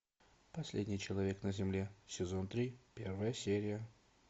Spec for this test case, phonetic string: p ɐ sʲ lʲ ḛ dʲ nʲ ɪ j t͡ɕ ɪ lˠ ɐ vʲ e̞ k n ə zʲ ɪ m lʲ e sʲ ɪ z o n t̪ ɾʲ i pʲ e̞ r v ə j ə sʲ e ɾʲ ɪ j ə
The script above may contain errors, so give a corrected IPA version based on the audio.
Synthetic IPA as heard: p ɐ sʲ lʲ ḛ dʲ nʲ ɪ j t͡ɕ ɪ lˠ ɐ vʲ e̞ k n ə zʲ ɪ m lʲ e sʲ ɪ z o n t̪ ɾʲ i pʲ e̞ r v ə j ə sʲ e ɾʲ ɪ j ə

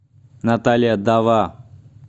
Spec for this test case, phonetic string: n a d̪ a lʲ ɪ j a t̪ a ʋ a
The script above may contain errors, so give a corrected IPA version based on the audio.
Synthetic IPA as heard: n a t̪ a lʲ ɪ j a d̪ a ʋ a

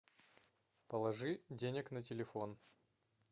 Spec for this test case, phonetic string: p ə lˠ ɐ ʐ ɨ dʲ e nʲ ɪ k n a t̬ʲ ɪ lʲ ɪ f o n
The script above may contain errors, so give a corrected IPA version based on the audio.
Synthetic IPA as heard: p ə lˠ ɐ ʐ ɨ dʲ e nʲ ɪ k n ə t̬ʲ ɪ lʲ ɪ f o n

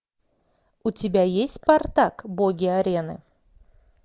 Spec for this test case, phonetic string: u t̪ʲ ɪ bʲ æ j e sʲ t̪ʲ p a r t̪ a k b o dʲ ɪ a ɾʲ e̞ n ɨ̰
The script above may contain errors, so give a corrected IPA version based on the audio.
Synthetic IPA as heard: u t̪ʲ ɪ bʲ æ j e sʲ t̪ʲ p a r t̪ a k b o ɡʲ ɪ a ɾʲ e̞ n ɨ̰

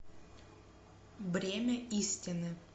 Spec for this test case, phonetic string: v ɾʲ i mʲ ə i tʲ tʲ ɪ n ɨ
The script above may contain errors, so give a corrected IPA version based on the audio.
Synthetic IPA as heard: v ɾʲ e mʲ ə i sʲ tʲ ɪ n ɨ

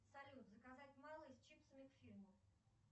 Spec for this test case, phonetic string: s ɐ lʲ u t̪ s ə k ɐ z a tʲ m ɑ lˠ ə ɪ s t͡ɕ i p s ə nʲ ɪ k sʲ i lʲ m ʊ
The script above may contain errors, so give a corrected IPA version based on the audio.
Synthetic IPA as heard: s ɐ lʲ u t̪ z ə k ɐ z a tʲ m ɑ lˠ ə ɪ s t͡ɕ i p s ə mʲ ɪ k fʲ i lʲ m ʊ

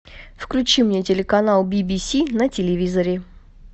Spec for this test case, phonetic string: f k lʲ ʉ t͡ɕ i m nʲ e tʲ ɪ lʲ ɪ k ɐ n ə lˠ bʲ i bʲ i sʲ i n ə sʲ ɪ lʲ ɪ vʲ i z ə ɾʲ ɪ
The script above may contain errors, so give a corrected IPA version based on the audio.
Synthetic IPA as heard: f k lʲ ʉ t͡ɕ i m nʲ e tʲ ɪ lʲ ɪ k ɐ n a lˠ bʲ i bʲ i sʲ i n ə tʲ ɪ lʲ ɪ vʲ i z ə ɾʲ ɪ

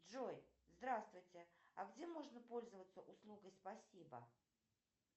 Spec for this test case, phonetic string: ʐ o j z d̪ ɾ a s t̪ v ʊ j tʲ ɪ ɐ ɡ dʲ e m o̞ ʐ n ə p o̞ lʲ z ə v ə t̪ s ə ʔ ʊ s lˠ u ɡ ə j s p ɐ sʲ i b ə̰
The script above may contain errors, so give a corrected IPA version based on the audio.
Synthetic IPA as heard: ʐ o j z d̪ ɾ a s t̪ v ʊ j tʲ ɪ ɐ ɡ dʲ e m o̞ ʐ n ə p o̞ lʲ z ə v ə t̪ s ə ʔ ʊ s lˠ u ɡ ə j s p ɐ sʲ i b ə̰

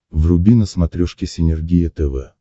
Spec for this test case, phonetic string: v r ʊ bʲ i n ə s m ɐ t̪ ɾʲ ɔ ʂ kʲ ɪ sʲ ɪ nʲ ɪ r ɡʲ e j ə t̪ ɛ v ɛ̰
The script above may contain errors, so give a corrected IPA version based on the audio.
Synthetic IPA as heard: v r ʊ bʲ i n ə s m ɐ t̪ ɾʲ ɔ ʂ kʲ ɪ sʲ ɪ nʲ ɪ r ɡʲ i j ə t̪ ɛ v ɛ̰

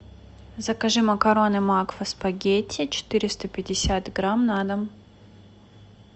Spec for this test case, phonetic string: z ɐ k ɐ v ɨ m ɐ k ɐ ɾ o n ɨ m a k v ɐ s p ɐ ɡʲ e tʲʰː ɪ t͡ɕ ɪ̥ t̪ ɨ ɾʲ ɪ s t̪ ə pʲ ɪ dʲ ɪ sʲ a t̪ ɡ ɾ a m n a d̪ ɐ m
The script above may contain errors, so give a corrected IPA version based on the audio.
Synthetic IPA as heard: z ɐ k ɐ ʐ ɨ m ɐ k ɐ ɾ o n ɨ m a k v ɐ s p ɐ ɡʲ e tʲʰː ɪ t͡ɕ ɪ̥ t̪ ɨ ɾʲ ɪ s t̪ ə pʲ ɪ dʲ ɪ sʲ a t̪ ɡ ɾ a m n a d̪ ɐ m

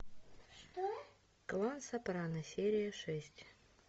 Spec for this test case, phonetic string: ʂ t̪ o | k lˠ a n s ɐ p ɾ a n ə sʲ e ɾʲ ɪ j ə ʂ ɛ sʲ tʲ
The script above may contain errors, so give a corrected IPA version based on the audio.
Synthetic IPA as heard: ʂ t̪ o | k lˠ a n s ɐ p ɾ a n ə sʲ e ɾʲ ɪ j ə ʂ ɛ sʲ tʲ

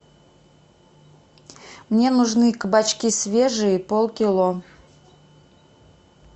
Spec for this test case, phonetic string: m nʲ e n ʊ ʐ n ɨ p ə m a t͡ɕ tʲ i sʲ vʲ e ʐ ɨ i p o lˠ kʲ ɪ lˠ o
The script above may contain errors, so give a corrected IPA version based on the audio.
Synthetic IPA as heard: m nʲ e n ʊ ʐ n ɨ k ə b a t͡ɕ kʲ i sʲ vʲ e ʐ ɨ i p o lˠ kʲ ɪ lˠ o

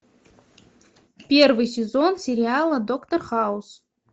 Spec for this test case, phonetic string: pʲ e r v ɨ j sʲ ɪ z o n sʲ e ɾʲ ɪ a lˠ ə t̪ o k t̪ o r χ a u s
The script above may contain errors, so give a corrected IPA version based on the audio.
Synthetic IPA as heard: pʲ e r v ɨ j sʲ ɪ z o n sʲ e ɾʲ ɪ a lˠ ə d̪ o k t̪ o r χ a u s

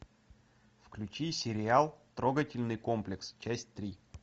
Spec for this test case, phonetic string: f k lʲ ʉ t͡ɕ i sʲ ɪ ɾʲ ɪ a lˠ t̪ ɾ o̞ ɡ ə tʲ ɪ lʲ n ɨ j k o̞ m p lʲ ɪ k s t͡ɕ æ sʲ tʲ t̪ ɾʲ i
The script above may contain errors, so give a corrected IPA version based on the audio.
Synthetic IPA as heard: f k lʲ ʉ t͡ɕ i sʲ ɪ ɾʲ ɪ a lˠ t̪ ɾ o̞ ɡ ə tʲ ɪ lʲ n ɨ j k o̞ m p lʲ ɪ k s t͡ɕ æ sʲ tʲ t̪ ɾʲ i

